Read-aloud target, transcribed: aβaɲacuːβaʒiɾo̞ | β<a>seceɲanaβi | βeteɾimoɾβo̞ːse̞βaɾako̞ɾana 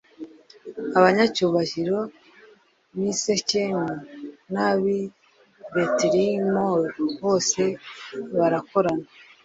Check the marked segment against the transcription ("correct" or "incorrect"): incorrect